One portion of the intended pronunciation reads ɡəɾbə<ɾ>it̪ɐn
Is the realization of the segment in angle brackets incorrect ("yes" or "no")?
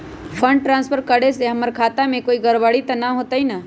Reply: yes